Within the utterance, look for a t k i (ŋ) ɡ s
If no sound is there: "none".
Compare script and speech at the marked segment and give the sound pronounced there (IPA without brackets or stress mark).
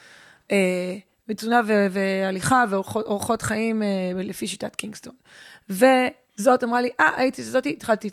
ŋ